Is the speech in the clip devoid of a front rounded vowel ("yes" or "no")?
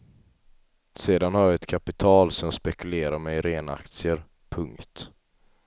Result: yes